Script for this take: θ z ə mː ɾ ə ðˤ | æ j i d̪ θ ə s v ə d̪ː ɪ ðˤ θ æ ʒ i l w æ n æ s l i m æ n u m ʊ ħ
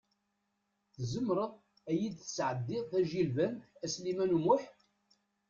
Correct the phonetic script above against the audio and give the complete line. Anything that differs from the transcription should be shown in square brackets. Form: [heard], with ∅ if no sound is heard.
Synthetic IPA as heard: θ z ə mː ɾ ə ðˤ | æ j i d̪ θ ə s [ʕ] ə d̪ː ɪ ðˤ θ æ ʒ i l [v] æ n æ s l i m æ n u m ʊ ħ